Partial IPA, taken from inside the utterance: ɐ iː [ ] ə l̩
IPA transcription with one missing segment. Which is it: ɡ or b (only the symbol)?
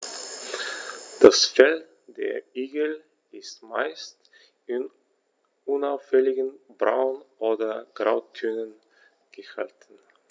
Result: ɡ